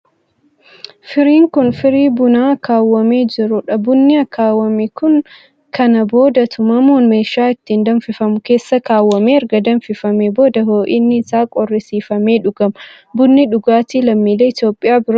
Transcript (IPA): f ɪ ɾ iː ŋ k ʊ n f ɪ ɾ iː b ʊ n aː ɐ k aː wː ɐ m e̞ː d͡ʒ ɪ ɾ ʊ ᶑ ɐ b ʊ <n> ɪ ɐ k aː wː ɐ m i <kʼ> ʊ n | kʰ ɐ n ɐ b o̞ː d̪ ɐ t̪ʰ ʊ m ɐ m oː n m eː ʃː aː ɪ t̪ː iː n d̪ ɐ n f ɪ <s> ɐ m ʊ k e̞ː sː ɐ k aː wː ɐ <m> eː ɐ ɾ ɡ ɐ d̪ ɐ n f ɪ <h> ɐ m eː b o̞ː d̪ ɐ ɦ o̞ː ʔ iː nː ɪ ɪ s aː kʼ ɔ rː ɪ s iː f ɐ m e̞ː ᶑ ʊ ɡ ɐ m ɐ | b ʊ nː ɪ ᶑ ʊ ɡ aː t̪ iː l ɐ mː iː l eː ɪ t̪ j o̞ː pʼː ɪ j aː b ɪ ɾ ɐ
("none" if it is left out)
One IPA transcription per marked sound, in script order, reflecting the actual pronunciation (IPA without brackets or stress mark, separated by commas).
nː, k, f, m, f